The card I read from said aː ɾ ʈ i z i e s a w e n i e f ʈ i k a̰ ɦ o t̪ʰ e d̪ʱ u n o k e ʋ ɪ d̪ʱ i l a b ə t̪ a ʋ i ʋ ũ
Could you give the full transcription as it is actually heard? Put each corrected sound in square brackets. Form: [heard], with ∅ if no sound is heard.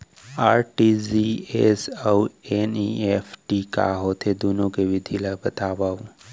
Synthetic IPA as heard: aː ɾ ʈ i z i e s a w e n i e f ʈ i k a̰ ɦ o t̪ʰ e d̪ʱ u n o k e ʋ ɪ d̪ʱ i l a b ə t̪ a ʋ [a] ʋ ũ